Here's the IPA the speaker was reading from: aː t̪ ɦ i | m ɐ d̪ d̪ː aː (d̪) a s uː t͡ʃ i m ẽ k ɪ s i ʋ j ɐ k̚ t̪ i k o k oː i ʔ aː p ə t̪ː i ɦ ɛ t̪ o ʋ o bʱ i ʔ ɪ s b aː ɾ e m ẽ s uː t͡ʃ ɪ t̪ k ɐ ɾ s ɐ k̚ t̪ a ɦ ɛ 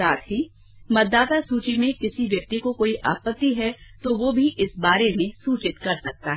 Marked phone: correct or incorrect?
incorrect